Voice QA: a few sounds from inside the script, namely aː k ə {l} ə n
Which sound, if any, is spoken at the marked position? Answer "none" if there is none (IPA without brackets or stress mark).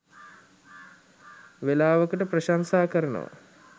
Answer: ɾ